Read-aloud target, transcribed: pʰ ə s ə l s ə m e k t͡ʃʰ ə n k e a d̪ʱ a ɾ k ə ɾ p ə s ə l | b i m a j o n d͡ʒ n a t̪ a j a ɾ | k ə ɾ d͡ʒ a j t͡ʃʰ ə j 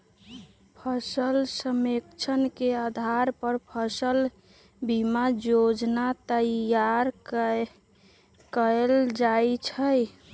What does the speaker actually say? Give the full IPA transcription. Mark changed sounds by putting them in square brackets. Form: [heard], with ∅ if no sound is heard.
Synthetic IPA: pʰ ə s ə l s ə m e k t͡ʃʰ ə n k e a d̪ʱ a ɾ [p] ə ɾ [pʰ] ə s ə l | b i m a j o [∅] d͡ʒ n a t̪ [ə] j a ɾ | k ə [l] d͡ʒ a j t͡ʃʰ ə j